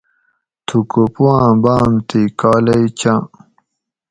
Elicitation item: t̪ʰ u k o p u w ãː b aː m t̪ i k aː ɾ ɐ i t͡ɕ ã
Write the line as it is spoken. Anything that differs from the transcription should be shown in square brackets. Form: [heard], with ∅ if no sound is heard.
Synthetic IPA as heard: t̪ʰ u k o p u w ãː b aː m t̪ i k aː [l] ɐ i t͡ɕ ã